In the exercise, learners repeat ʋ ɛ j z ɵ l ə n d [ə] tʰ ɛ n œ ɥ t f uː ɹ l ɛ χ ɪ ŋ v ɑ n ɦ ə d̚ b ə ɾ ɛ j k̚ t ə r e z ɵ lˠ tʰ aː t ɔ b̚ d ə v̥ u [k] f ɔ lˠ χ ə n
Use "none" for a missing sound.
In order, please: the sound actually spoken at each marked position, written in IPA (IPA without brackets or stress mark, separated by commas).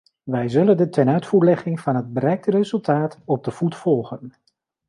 ə, t